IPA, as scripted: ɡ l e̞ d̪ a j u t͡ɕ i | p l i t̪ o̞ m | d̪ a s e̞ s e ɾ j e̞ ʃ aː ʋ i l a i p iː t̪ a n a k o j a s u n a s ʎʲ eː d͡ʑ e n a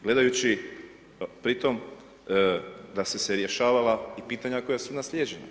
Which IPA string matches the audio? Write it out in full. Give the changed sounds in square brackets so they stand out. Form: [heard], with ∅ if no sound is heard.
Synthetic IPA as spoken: ɡ l e̞ d̪ a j u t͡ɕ i | p [ɾ] i t̪ o̞ m | d̪ a s e̞ s e ɾ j e̞ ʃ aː ʋ [a] l a i p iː t̪ a [ɲ] a k o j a s u n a s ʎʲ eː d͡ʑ e n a